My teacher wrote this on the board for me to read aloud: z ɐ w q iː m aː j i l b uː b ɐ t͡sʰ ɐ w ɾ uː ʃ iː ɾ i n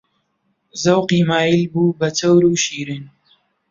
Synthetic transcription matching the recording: z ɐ w q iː m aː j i l b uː b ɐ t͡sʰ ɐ w ɾ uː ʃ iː ɾ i n